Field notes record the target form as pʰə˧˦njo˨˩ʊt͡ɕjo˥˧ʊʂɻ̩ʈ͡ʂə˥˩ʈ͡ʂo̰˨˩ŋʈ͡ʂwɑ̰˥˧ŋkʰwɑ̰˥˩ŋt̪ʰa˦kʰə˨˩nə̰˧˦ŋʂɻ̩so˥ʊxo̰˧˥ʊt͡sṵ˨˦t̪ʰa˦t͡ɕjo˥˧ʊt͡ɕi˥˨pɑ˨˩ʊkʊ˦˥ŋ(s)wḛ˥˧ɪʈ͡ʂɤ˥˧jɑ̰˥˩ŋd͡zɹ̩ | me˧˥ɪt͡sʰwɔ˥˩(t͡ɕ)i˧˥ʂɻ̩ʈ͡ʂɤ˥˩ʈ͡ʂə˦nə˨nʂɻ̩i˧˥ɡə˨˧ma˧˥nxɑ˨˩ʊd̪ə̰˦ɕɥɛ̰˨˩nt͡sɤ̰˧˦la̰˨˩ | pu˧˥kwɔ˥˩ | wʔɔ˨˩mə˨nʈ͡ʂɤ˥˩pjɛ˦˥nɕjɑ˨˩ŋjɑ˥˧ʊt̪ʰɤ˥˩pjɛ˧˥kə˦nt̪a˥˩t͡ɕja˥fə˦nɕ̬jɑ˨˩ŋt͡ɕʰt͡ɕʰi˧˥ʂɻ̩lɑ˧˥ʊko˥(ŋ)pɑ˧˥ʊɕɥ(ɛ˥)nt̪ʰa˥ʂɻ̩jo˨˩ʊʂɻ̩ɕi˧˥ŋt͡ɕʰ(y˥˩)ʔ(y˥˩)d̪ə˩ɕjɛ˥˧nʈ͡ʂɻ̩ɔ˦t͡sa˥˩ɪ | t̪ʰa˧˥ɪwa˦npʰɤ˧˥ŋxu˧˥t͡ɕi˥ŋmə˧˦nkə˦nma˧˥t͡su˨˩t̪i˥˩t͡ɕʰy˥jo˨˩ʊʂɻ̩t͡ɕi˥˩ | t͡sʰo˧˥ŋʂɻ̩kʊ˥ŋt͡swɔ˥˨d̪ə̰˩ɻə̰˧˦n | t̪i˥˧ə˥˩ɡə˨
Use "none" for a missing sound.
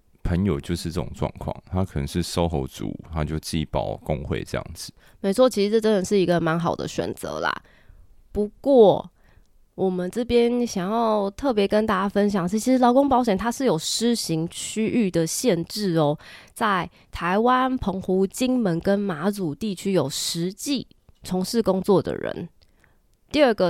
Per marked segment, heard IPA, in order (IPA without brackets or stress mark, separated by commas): x, t͡ɕʰ, ŋ, ɛ˨˩, y˥, y˥˩